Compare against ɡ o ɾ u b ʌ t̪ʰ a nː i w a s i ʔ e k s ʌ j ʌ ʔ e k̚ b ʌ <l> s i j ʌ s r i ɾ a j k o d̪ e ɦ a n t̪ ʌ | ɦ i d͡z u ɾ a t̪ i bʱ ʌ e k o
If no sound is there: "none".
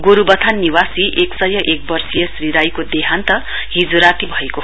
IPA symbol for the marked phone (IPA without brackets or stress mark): r